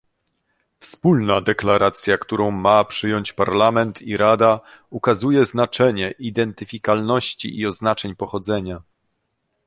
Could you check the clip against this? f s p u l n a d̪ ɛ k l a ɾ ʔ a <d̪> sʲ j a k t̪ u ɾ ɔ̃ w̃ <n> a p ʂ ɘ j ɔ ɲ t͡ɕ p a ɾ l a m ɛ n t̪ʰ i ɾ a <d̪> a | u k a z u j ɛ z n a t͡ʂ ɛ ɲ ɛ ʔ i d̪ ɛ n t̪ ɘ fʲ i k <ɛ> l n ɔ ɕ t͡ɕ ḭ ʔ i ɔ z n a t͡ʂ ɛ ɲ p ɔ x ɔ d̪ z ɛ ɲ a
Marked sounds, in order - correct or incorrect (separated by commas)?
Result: incorrect, incorrect, correct, incorrect